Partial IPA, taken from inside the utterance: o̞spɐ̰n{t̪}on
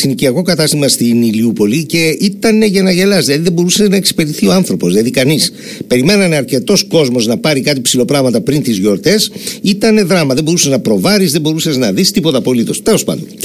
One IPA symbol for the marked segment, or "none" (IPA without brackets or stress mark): d̪